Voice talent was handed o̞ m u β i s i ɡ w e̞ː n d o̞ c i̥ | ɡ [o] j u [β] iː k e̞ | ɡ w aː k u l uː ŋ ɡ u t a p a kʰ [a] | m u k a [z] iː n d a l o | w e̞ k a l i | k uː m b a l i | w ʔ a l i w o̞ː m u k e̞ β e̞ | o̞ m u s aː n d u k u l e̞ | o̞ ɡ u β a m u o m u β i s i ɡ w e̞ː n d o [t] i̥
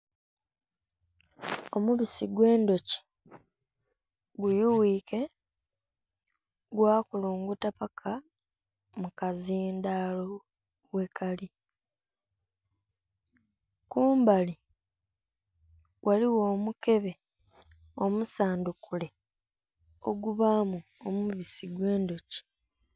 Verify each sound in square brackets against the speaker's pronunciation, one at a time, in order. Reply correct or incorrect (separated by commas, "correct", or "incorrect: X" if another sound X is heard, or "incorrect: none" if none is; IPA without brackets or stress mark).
incorrect: u, incorrect: w, correct, correct, incorrect: c